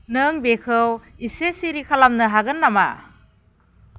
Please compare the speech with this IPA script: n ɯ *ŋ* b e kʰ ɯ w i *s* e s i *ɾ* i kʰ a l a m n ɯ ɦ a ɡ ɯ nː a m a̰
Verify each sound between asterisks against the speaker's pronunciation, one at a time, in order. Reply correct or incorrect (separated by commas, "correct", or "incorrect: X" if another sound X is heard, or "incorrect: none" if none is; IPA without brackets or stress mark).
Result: correct, correct, correct